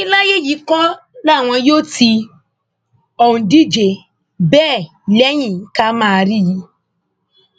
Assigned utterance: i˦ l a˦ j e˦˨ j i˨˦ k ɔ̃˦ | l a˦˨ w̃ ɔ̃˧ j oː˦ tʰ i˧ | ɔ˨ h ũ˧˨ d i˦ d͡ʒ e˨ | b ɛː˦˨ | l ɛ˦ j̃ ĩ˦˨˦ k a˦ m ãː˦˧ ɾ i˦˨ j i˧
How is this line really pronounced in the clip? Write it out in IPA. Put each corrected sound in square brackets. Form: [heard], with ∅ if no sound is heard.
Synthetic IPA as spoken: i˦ l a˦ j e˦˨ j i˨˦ k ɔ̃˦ | l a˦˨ w̃ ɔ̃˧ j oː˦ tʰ i˧ | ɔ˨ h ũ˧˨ d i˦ d͡ʒ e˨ | b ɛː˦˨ | l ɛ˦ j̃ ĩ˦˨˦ k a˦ m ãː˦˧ ɾ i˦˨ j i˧